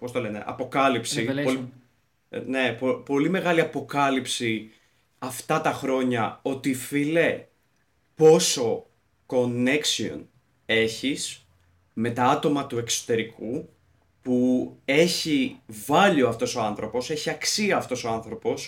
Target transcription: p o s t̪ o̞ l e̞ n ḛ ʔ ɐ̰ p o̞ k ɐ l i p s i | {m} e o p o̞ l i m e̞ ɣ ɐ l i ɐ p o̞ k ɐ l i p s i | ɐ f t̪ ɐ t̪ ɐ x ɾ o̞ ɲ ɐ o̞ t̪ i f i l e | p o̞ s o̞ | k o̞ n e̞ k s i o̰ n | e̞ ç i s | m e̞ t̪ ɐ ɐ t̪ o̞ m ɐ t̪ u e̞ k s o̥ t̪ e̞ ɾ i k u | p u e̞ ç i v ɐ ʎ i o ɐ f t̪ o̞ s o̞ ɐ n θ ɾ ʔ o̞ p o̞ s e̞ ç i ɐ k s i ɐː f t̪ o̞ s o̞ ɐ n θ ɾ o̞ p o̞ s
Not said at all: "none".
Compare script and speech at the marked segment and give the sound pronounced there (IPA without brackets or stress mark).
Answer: n